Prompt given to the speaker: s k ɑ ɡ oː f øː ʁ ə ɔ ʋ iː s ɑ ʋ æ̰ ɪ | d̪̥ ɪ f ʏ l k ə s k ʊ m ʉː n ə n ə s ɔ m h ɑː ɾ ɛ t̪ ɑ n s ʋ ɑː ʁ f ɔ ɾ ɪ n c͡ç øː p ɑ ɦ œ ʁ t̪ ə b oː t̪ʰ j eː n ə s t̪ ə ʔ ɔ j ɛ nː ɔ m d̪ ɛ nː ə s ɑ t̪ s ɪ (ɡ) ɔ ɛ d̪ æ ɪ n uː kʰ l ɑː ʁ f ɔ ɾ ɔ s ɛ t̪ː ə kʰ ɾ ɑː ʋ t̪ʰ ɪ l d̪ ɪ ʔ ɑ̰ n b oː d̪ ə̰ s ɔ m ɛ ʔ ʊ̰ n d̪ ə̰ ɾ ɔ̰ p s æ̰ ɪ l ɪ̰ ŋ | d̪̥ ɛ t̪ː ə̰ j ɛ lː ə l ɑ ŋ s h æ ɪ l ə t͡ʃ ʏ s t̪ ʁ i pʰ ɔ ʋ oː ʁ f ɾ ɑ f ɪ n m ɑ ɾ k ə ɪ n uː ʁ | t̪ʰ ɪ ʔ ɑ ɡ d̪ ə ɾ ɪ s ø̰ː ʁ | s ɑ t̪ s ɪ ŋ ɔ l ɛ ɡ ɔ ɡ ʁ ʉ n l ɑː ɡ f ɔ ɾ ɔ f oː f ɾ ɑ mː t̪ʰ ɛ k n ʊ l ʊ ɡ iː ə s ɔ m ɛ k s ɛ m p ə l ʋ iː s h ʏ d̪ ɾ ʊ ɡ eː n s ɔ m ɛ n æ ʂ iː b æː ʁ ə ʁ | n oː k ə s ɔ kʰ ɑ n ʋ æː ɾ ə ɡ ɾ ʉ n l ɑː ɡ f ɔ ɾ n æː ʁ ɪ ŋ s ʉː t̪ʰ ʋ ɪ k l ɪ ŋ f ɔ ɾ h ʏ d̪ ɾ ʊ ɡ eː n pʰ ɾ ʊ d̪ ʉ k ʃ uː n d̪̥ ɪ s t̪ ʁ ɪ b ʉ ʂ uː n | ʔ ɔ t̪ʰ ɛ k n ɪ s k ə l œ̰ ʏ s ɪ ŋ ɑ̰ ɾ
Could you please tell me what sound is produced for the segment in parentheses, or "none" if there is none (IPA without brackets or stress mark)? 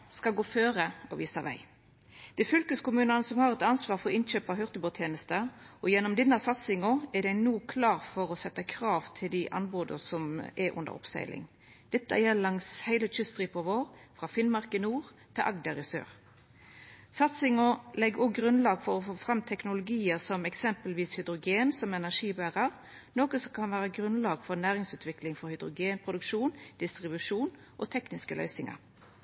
ŋ